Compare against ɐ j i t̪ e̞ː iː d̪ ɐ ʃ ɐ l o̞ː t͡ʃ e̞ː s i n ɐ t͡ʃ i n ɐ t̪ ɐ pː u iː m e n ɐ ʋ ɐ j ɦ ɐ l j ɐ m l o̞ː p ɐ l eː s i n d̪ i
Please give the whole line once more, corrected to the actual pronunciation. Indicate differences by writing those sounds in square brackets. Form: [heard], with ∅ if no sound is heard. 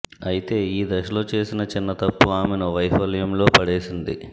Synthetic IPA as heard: ɐ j i t̪ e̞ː iː d̪ ɐ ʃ ɐ l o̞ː t͡ʃ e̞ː s i n ɐ t͡ʃ i [nː] ɐ t̪ ɐ pː u [aː] m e n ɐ ʋ ɐ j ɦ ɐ l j ɐ m l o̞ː p ɐ [ɽ] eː s i n d̪ i